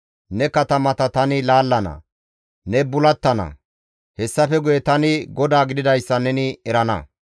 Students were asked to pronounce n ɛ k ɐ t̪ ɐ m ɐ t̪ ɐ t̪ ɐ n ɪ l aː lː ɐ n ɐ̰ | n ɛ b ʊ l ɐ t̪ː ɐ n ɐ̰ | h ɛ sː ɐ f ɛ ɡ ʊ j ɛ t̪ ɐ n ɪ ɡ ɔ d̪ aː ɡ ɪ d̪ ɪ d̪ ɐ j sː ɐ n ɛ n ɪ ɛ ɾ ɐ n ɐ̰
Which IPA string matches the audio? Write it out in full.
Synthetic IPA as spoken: n ɛ k ɐ t̪ ɐ m ɐ t̪ ɐ t̪ ɐ n ɪ l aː lː ɐ n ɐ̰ | n ɛ b ʊ l ɐ t̪ː ɐ n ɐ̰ | h ɛ sː ɐ f ɛ ɡ ʊ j ɛ t̪ ɐ n ɪ ɡ ɔ d̪ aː ɡ ɪ d̪ ɪ d̪ ɐ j sː ɐ n ɛ n ɪ ɛ ɾ ɐ n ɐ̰